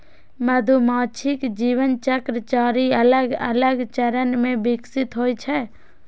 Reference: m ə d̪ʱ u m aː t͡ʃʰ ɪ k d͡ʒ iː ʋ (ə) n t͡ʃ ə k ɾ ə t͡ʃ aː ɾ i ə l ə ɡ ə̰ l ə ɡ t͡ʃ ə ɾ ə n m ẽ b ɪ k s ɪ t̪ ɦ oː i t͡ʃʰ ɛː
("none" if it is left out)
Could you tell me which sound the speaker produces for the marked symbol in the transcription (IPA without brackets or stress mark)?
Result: ə